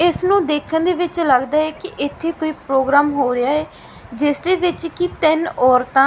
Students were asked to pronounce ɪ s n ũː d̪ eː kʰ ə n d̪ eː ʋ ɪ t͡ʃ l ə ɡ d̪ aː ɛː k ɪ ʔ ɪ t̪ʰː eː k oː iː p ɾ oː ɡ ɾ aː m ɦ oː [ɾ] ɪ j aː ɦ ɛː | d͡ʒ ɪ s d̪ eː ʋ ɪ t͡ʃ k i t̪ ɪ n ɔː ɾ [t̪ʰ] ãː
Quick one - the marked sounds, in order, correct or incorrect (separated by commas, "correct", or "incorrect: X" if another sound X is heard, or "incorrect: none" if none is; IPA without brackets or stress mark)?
correct, incorrect: t̪